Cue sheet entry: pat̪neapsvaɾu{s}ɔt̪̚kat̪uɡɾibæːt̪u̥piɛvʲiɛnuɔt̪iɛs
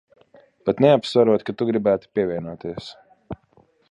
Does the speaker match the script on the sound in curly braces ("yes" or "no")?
no